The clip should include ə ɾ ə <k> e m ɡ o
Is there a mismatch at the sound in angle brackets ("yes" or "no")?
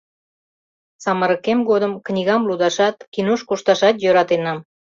no